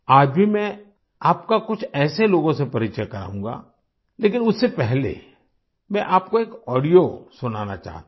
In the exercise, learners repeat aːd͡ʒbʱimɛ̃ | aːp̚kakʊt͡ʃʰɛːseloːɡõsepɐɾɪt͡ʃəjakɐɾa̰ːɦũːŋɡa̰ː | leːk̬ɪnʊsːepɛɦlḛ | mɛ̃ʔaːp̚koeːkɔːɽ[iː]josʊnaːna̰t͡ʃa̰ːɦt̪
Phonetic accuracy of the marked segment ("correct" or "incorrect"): incorrect